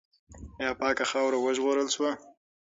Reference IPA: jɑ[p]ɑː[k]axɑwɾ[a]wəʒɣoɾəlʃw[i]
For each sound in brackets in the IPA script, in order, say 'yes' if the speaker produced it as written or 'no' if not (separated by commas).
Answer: yes, yes, yes, no